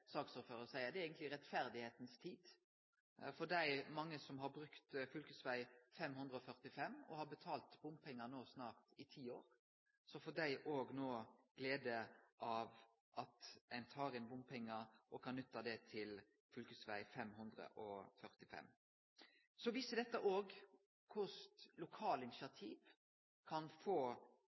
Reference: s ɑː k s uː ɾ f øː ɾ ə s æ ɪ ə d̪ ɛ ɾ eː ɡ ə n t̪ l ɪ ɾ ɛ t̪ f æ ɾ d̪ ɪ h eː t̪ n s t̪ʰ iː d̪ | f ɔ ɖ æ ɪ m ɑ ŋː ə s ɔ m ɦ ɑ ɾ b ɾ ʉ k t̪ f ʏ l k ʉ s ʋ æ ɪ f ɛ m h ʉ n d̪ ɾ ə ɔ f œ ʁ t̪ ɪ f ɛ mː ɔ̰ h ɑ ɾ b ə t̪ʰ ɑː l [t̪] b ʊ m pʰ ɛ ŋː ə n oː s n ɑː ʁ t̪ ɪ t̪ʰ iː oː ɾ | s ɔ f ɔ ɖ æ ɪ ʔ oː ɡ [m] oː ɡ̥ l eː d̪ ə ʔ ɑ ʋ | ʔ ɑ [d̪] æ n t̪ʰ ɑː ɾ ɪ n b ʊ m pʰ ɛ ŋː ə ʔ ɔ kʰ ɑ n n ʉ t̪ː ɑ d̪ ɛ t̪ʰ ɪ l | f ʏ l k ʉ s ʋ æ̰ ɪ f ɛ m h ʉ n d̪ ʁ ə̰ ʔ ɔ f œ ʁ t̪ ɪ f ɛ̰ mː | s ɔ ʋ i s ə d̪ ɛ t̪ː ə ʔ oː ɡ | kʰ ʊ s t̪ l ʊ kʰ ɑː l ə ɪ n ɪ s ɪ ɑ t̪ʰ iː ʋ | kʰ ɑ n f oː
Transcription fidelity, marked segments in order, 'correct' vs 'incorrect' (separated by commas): correct, incorrect, incorrect